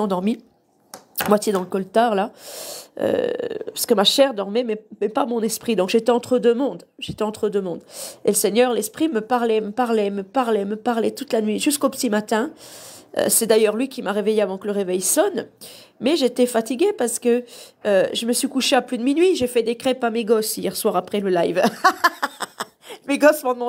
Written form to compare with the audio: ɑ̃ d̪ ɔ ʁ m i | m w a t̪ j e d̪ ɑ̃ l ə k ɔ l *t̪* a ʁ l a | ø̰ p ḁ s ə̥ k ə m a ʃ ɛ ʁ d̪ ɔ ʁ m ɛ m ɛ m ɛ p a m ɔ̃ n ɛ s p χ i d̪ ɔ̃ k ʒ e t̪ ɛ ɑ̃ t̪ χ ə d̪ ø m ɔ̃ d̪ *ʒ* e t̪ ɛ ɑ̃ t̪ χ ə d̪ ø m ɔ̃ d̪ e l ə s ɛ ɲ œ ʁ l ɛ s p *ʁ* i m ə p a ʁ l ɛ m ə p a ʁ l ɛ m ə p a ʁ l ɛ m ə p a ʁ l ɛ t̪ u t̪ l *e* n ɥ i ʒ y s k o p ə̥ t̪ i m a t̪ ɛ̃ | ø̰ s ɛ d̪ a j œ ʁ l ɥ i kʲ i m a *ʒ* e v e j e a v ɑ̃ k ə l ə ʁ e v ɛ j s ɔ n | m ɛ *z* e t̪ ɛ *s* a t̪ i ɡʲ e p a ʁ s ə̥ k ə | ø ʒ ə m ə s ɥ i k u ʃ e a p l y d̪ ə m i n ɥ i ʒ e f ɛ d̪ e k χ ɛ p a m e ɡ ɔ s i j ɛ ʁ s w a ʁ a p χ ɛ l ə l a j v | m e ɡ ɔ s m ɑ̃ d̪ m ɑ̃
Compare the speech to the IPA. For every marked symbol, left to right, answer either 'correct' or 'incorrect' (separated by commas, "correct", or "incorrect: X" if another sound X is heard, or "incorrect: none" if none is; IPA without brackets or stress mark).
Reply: correct, correct, incorrect: χ, incorrect: a, incorrect: ʁ, incorrect: ʒ, incorrect: f